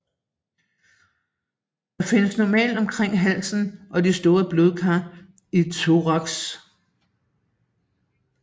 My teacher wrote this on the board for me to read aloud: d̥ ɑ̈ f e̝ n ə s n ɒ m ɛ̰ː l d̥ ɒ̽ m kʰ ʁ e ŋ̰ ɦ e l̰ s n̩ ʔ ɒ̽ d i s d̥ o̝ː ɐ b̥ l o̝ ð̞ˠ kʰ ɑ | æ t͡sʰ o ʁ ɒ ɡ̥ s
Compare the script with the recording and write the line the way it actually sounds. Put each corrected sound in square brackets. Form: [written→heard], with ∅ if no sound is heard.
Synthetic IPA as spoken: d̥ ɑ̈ f e̝ n ə s n ɒ m ɛ̰ː l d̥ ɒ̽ m kʰ ʁ e ŋ̰ ɦ [e→æ] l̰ s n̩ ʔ ɒ̽ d i s d̥ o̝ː ɐ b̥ l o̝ ð̞ˠ kʰ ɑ | [æ→i] t͡sʰ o ʁ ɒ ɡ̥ s